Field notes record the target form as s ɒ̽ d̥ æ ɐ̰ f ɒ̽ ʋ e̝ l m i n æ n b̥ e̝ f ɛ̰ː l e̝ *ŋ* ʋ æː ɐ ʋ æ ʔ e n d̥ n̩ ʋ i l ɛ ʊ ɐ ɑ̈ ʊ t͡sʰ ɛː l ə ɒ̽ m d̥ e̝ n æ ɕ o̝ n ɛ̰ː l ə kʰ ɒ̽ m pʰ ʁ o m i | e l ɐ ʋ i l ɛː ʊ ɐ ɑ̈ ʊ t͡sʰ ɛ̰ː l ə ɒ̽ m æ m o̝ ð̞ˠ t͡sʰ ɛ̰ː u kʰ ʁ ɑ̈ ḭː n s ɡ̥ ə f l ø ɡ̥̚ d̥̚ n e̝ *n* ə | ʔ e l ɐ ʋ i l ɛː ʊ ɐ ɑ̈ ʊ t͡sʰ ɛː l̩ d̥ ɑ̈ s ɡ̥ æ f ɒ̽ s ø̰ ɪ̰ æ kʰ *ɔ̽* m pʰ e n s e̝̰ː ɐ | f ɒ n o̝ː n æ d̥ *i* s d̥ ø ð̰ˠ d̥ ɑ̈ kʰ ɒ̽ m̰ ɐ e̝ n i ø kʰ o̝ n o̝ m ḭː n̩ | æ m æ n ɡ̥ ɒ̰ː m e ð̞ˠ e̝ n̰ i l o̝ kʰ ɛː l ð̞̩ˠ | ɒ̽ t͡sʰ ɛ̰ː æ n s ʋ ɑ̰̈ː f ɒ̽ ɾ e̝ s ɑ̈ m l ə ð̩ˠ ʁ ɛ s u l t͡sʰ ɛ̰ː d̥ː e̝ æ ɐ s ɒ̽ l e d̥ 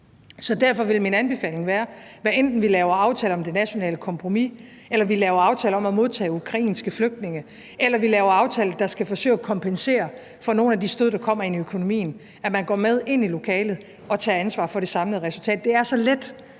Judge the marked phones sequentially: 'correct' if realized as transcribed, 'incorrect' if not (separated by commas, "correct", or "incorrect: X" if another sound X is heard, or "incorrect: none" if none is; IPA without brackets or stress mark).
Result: correct, incorrect: ŋ, incorrect: ɒ̽, correct